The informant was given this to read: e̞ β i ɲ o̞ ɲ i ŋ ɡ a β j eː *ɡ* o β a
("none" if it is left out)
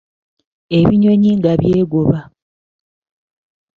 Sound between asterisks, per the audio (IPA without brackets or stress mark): ɡ